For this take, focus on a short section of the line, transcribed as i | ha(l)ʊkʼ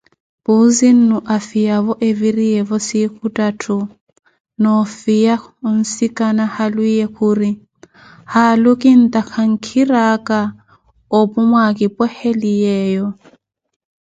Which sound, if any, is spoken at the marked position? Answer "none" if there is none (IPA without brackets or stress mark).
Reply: l